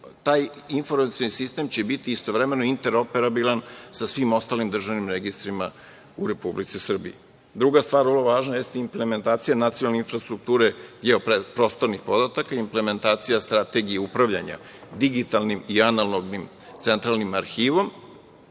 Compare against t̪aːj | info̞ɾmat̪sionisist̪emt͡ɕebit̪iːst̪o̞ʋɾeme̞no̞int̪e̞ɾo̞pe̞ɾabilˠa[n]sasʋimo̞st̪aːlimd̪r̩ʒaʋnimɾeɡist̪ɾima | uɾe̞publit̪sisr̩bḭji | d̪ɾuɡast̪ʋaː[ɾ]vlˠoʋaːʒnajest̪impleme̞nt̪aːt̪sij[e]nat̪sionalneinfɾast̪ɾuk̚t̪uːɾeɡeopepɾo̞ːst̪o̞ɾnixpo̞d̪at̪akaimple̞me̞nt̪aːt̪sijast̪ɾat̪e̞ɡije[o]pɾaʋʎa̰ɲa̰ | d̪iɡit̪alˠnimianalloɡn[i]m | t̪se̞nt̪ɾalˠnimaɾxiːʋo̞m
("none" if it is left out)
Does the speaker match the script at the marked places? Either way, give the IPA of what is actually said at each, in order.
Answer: n, ɾ, a, u, i

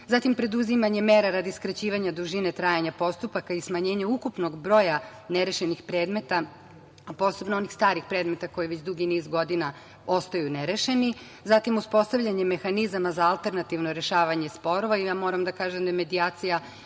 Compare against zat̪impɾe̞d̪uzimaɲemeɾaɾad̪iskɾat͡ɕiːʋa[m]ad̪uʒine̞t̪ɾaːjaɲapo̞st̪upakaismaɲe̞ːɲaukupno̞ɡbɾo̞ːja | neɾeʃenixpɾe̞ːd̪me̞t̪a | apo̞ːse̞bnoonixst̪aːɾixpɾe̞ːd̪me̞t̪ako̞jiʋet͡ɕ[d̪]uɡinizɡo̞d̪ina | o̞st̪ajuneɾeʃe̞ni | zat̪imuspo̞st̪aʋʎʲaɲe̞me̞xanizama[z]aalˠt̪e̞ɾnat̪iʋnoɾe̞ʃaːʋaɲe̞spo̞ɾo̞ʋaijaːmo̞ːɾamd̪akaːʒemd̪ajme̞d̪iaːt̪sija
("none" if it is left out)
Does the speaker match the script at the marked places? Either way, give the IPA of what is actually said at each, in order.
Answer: ɲ, d̪, z

